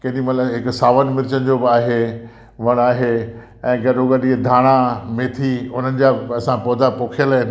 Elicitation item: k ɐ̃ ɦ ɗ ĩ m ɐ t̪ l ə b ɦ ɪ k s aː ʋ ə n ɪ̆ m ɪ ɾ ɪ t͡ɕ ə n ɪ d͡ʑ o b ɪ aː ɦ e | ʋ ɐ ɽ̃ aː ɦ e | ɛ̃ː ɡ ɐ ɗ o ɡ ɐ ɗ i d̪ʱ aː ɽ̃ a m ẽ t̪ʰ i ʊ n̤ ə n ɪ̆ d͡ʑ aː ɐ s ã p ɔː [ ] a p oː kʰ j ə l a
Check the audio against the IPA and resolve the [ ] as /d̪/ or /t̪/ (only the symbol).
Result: d̪